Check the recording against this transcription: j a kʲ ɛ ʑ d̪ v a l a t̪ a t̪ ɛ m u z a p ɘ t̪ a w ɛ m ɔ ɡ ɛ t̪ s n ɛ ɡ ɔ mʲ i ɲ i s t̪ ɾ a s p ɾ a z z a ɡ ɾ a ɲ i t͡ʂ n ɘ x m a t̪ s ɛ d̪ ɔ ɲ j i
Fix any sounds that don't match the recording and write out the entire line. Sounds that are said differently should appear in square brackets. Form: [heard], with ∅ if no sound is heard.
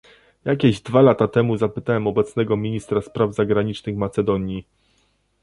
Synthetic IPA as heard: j a kʲ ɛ ʑ d̪ v a l a t̪ a t̪ ɛ m u z a p ɘ t̪ a w ɛ m ɔ [b] ɛ t̪ s n ɛ ɡ ɔ mʲ i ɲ i s t̪ ɾ a s p ɾ a [v] z a ɡ ɾ a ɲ i t͡ʂ n ɘ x m a t̪ s ɛ d̪ ɔ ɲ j i